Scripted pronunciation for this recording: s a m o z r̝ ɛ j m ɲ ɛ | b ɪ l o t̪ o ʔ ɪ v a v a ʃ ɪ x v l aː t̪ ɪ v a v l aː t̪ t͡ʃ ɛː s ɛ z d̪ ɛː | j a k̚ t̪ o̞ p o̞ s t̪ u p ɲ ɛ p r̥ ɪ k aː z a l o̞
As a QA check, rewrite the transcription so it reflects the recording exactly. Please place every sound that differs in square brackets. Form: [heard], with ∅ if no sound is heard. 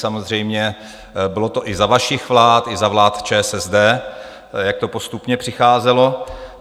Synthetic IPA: s a m o z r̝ ɛ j m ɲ ɛ | b ɪ l o t̪ o ʔ ɪ [z] a v a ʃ ɪ x v l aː t̪ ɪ [z] a v l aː t̪ t͡ʃ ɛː s ɛ z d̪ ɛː | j a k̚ t̪ o̞ p o̞ s t̪ u p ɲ ɛ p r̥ ɪ [x] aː z [ɛ] l o̞